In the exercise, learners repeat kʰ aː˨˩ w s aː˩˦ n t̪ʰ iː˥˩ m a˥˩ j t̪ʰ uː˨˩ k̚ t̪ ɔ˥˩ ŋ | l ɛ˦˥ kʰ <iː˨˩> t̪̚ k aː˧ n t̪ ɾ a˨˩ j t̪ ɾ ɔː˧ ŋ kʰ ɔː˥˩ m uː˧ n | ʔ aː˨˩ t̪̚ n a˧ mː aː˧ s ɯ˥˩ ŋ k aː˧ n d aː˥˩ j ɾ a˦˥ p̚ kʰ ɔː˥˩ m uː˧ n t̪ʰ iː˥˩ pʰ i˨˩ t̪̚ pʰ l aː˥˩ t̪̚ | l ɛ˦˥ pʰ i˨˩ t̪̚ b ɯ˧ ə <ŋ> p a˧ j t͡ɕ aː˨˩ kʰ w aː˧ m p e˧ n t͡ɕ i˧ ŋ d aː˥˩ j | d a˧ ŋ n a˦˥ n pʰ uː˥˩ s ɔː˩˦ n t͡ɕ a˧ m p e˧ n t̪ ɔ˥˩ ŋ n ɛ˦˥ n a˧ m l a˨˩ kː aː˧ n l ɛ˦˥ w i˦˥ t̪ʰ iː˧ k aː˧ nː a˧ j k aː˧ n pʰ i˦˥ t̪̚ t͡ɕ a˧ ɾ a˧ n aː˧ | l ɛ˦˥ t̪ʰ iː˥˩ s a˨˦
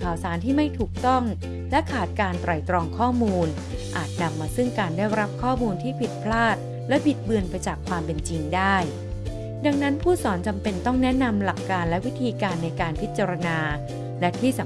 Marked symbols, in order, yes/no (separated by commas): no, no